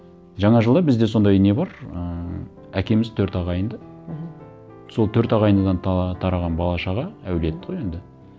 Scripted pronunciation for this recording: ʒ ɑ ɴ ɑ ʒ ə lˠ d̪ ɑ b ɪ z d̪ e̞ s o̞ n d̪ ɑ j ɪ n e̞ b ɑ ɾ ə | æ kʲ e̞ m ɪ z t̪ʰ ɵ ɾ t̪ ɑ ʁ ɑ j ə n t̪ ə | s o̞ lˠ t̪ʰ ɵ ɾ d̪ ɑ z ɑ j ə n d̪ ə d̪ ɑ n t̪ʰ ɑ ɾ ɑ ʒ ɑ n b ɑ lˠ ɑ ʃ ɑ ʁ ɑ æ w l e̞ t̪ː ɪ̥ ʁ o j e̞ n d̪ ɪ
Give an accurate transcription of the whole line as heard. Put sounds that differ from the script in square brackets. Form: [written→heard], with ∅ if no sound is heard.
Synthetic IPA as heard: ʒ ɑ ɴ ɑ ʒ ə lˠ d̪ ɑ b ɪ z d̪ e̞ s o̞ n d̪ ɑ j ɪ n e̞ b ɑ ɾ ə | æ kʲ e̞ m ɪ z t̪ʰ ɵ ɾ t̪ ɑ ʁ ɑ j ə n [t̪→d̪] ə | s o̞ lˠ t̪ʰ ɵ ɾ [d̪→t̪] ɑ [z→ʁ] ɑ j ə n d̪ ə d̪ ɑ n t̪ʰ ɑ ɾ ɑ [ʒ→ʁ] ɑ n b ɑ lˠ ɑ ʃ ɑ ʁ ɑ æ w l e̞ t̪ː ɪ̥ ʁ o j e̞ n d̪ ɪ